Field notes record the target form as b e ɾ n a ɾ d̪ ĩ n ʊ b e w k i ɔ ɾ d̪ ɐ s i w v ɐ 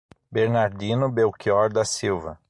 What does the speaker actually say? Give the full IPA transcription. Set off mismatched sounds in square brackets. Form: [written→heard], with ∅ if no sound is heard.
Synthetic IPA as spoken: b e ɾ n a ɾ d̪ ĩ n ʊ b e w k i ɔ ɾ d̪ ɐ s i w v ɐ